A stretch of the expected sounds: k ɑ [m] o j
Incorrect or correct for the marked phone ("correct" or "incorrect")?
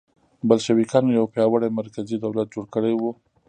incorrect